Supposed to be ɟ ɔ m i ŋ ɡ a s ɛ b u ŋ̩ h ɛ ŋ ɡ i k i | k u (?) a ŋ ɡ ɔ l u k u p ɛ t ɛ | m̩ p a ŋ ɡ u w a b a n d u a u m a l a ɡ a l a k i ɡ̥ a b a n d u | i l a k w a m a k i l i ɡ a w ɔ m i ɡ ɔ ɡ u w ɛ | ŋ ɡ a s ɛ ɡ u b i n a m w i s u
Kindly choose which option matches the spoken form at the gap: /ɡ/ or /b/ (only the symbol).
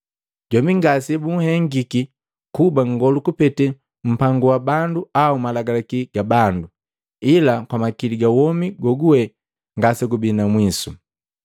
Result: b